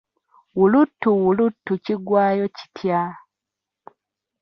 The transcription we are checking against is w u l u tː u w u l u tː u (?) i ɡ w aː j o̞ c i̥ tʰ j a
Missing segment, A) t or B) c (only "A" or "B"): B